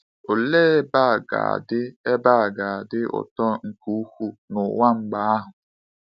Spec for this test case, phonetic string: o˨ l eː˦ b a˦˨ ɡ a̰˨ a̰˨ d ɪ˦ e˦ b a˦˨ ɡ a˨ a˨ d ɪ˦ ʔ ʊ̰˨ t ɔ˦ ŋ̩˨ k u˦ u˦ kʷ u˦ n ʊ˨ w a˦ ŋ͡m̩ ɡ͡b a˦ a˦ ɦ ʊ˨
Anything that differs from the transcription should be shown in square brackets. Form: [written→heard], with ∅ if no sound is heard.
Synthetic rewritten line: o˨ l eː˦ b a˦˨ ɡ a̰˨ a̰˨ d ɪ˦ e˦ b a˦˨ ɡ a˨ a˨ d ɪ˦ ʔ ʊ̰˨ t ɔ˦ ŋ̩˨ k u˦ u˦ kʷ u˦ n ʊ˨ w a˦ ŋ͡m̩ ɡ͡b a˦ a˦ ɦ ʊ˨